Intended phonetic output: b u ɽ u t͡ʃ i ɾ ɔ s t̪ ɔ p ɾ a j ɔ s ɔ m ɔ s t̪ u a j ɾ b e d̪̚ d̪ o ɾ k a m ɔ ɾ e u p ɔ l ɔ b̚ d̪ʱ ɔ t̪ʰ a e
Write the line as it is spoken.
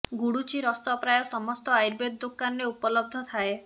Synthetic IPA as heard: ɡ u ɽ u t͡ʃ i ɾ ɔ s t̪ ɔ p ɾ a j ɔ s ɔ m ɔ s t̪ ɔ a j ɾ b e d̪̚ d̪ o k a n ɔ ɾ e u p ɔ l ɔ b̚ d̪ʱ ɔ t̪ʰ a e

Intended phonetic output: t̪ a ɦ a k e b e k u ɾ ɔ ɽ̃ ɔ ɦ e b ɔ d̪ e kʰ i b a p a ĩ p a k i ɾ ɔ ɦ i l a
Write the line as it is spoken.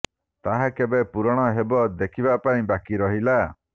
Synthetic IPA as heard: t̪ a ɦ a k e b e p u ɾ ɔ ɽ̃ ɔ ɦ e b ɔ d̪ e kʰ i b a p a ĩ b a k i ɾ ɔ ɦ i l a

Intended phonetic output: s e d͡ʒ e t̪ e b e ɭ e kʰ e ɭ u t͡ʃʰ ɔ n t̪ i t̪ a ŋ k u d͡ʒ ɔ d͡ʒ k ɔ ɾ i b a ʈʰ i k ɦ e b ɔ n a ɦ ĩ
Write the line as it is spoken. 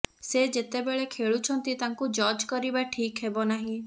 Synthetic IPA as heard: s e d͡ʒ e t̪ e b e ɭ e kʰ e ɭ u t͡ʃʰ ɔ n t̪ i t̪ a ŋ k u d͡ʒ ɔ d͡ʒ k ɔ ɾ i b a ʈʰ i k ɦ e b ɔ n a ɦ ĩ

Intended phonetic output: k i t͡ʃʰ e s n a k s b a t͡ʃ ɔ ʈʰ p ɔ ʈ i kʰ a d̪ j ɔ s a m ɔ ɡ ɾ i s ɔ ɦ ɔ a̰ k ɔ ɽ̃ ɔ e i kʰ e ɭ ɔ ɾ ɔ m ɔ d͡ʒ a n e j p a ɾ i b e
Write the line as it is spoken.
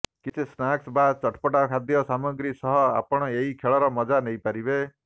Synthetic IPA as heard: k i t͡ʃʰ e s n a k s b a t͡ʃ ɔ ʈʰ p ɔ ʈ a kʰ a d̪ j ɔ s a m ɔ ɡ ɾ i s ɔ ɦ ɔ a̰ p ɔ ɽ̃ ɔ e i kʰ e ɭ ɔ ɾ ɔ m ɔ d͡ʒ a n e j p a ɾ i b e

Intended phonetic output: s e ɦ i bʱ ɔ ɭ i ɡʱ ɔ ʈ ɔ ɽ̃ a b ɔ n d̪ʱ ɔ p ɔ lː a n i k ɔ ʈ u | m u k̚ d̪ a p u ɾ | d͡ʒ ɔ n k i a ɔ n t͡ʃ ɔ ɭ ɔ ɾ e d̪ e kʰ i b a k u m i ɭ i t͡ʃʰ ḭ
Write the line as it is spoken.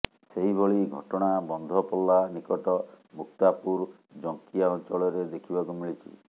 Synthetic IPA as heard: s e ɦ i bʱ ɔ ɭ i ɡʱ ɔ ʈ ɔ ɽ̃ a b ɔ n d̪ʱ ɔ p ɔ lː a n i k ɔ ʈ ɔ | m u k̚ t̪ a p u ɾ | d͡ʒ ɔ ŋ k i a ɔ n t͡ʃ ɔ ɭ ɔ ɾ e d̪ e kʰ i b a k u m i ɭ i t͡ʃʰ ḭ

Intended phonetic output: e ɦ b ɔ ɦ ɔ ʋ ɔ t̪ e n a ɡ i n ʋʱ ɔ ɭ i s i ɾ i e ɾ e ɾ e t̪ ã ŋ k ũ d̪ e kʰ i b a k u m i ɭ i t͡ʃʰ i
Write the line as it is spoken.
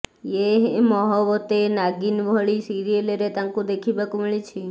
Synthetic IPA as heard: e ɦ m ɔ ɦ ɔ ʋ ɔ t̪ e n a ɡ i n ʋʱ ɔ ɭ i s i ɾ i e l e ɾ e t̪ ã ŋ k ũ d̪ e kʰ i b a k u m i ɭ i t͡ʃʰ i

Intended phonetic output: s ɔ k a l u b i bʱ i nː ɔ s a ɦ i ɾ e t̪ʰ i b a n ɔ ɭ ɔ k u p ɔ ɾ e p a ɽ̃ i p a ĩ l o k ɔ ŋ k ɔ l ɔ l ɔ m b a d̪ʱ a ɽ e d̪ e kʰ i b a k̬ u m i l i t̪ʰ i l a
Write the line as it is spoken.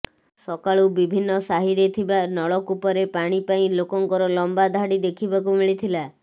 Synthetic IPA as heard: s ɔ k a ɭ u b i bʱ i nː ɔ s a ɦ i ɾ e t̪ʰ i b a n ɔ ɭ ɔ k u p ɔ ɾ e p a ɽ̃ i p a ĩ l o k ɔ ŋ k ɔ ɾ ɔ l ɔ m b a d̪ʱ a ɽ i d̪ e kʰ i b a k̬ u m i ɭ i t̪ʰ i l a

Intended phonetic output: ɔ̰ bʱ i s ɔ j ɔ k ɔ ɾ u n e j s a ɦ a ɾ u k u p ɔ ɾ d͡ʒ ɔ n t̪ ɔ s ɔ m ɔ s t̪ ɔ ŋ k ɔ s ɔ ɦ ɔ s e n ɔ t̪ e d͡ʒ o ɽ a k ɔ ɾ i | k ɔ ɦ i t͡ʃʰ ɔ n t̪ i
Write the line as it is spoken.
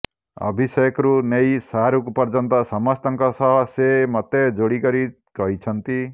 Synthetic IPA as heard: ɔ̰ bʱ i s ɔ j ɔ k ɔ ɾ u n e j s a ɦ a ɾ u k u p ɔ ɾ d͡ʒ ɔ n t̪ ɔ s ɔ m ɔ s t̪ ɔ ŋ k ɔ s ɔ ɦ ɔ s e m ɔ t̪ e d͡ʒ o ɽ i k ɔ ɾ i | k ɔ ɦ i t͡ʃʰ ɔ n t̪ i

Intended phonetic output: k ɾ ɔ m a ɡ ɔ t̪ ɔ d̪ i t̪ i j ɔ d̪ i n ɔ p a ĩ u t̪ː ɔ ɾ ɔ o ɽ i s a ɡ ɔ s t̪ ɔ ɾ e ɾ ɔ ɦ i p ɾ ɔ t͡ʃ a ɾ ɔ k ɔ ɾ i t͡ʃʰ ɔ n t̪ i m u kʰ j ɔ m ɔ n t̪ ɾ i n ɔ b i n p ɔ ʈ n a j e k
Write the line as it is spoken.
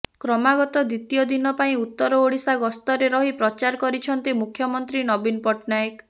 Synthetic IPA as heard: k ɾ ɔ m a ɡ ɔ t̪ ɔ d̪ i t̪ i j ɔ d̪ i n ɔ p a ĩ u t̪ː ɔ ɾ ɔ o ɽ i s a ɡ ɔ s t̪ ɔ ɾ e ɾ ɔ ɦ i p ɾ ɔ t͡ʃ a ɾ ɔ k ɔ ɾ i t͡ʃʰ ɔ n t̪ i m u kʰ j ɔ m ɔ n t̪ ɾ i n ɔ b i n p ɔ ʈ n a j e k

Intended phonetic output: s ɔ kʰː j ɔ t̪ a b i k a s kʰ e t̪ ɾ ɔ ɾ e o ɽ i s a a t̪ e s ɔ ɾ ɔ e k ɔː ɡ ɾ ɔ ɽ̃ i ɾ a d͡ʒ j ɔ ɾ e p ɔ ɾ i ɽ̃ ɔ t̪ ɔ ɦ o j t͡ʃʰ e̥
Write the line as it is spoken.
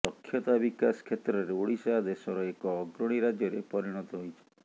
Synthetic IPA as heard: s ɔ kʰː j ɔ t̪ a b i k a s kʰ e t̪ ɾ ɔ ɾ e o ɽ i s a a d̪ e s ɔ ɾ ɔ e k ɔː ɡ ɾ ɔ ɽ̃ i ɾ a d͡ʒ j ɔ ɾ e p ɔ ɾ i ɽ̃ ɔ t̪ ɔ ɦ o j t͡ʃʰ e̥

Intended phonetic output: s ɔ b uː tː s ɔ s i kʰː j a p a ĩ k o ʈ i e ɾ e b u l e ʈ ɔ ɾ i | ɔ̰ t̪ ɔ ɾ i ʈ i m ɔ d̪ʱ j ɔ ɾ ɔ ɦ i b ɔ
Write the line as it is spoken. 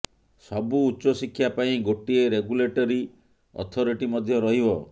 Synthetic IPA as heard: s ɔ b uː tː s ɔ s i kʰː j a p a ĩ ɡ o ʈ i e ɾ e ɡ u l e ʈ ɔ ɾ i | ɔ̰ t̪ʰ ɔ ɾ i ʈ i m ɔ d̪ʱ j ɔ ɾ ɔ ɦ i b ɔ

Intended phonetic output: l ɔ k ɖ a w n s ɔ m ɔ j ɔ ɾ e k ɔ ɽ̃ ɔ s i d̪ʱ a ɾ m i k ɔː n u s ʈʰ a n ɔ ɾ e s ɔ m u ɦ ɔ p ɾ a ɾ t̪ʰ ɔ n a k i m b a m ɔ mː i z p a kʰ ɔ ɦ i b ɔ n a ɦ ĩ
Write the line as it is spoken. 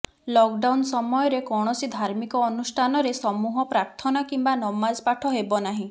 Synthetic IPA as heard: l ɔ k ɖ a w n s ɔ m ɔ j ɔ ɾ e k ɔ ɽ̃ ɔ s i d̪ʱ a ɾ m i k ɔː n u s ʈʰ a n ɔ ɾ e s ɔ m u ɦ ɔ p ɾ a ɾ t̪ʰ ɔ n a k i m b a n ɔ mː a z p a ʈʰ ɔ ɦ e b ɔ n a ɦ ĩ

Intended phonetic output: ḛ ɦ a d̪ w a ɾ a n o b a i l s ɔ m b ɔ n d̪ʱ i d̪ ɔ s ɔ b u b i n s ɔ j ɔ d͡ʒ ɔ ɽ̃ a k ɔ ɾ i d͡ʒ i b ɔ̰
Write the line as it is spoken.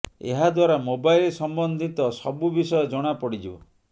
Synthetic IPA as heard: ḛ ɦ a d̪ w a ɾ a m o b a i l s ɔ m b ɔ n d̪ʱ i t̪ ɔ s ɔ b u b i s ɔ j ɔ d͡ʒ ɔ ɽ̃ a p ɔ ɽ i d͡ʒ i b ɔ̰

